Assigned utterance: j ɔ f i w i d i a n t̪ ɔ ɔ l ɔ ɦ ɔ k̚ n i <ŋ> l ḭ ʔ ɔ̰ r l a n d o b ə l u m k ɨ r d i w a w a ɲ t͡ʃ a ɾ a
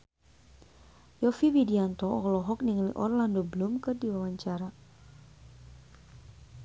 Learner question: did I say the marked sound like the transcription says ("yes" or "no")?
yes